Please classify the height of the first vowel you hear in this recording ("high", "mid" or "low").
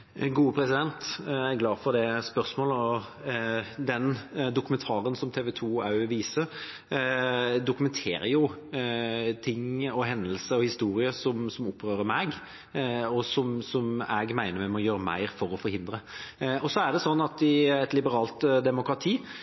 high